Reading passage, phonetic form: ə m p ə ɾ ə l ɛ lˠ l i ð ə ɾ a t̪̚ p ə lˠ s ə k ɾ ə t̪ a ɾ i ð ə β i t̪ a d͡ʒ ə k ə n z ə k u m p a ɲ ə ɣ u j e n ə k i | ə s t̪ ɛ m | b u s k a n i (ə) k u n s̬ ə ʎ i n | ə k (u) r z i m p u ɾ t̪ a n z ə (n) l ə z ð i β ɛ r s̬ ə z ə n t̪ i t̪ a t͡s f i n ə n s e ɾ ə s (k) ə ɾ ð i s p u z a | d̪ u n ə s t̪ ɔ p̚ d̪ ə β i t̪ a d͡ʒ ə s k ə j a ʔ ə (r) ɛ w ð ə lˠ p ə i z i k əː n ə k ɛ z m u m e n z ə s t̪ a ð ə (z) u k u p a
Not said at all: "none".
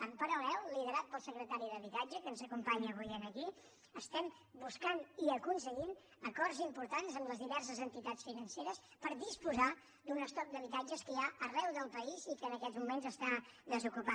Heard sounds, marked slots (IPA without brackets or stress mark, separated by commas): ə, ɔ, m, p, r, z